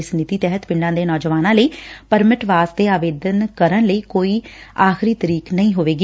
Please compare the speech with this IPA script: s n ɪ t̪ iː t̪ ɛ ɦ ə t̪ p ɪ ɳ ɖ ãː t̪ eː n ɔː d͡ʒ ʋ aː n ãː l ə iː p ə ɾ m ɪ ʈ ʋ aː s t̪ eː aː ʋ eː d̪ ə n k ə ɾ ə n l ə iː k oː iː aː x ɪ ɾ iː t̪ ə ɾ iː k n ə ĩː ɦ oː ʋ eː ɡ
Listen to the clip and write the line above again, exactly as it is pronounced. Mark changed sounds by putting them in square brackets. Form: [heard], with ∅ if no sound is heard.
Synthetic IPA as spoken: s n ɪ t̪ iː t̪ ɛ ɦ ə t̪ p ɪ ɳ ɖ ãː [d̪] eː n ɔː d͡ʒ ʋ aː n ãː l ə iː p ə ɾ m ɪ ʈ ʋ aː s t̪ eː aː ʋ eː d̪ ə n k ə ɾ ə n l ə iː k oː iː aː x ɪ ɾ iː t̪ ə ɾ iː k n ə ĩː ɦ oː ʋ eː ɡ

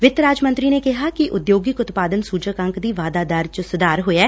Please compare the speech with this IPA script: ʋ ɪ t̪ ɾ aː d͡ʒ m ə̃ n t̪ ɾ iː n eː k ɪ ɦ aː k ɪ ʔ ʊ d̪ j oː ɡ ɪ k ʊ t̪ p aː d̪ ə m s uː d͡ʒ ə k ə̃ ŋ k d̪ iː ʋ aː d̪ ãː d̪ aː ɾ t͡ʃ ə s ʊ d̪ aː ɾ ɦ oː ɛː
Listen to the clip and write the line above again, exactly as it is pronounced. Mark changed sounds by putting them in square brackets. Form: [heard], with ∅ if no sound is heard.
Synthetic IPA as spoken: ʋ ɪ t̪ ɾ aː d͡ʒ m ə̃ n t̪ ɾ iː n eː k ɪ ɦ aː k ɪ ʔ ʊ d̪ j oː ɡ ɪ k ʊ t̪ p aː d̪ ə [n] s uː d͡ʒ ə k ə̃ ŋ k d̪ iː ʋ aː d̪ [aː] d̪ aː ɾ t͡ʃ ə s ʊ d̪ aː ɾ ɦ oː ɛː

